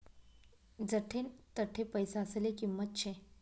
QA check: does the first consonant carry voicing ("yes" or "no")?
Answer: yes